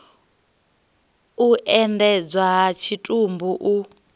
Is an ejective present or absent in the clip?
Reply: present